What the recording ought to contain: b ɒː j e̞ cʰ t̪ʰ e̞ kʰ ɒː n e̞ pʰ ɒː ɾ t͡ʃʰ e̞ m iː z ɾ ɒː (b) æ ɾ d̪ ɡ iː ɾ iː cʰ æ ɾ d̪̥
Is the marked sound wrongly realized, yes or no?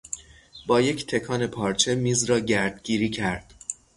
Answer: yes